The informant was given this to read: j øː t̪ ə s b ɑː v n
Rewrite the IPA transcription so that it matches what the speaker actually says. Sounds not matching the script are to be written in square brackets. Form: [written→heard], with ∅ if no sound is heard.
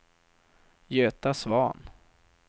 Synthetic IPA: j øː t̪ [ə→a] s [b→v] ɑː [v→∅] n